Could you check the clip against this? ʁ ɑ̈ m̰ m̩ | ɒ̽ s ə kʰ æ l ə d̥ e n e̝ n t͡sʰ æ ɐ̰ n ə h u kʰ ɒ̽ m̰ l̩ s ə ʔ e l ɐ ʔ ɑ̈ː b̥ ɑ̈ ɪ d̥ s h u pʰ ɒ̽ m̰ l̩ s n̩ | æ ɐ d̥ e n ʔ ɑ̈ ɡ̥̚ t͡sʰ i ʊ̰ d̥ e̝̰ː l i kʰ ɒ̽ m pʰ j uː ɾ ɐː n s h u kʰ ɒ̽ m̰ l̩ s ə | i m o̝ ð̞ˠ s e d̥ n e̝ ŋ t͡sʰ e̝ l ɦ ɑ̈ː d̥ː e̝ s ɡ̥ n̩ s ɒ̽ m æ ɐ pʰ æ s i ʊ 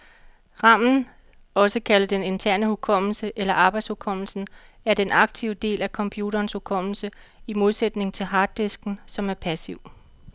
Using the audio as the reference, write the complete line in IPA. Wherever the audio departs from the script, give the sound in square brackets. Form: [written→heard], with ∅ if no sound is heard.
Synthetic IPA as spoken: ʁ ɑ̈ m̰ [m̩→n̩] | ɒ̽ s ə kʰ æ l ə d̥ e n e̝ n t͡sʰ æ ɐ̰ n ə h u kʰ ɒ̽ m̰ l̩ s ə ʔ e l ɐ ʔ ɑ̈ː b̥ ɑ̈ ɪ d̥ s h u [pʰ→kʰ] ɒ̽ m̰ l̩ s n̩ | æ ɐ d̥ e n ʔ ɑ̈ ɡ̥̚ t͡sʰ i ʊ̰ d̥ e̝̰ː l [i→æ] kʰ ɒ̽ m pʰ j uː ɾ ɐː n s h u kʰ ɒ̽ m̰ l̩ s ə | i m o̝ ð̞ˠ s e d̥ n e̝ ŋ t͡sʰ e̝ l ɦ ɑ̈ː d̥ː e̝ s ɡ̥ n̩ s ɒ̽ m æ ɐ pʰ æ s i ʊ